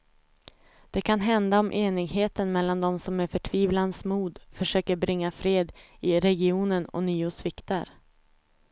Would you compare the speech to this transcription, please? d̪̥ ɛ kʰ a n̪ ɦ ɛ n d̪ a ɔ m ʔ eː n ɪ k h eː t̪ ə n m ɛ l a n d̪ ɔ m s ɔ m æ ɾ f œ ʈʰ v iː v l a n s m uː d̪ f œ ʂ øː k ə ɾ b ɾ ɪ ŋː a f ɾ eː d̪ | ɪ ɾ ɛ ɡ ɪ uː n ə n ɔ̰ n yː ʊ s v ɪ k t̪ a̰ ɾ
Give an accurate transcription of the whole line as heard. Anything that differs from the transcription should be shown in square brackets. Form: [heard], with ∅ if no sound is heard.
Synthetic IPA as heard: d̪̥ ɛ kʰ a n̪ ɦ ɛ n d̪ a ɔ m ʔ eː n ɪ [ɡ] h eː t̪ ə n m ɛ [lː] a n d̪ ɔ m s ɔ m æ ɾ f œ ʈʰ v iː v l a n s m uː d̪ f œ ʂ øː k ə ɾ b ɾ ɪ ŋː a f ɾ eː d̪ | ɪ ɾ ɛ ɡ ɪ uː n ə n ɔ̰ n yː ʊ s v ɪ k t̪ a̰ ɾ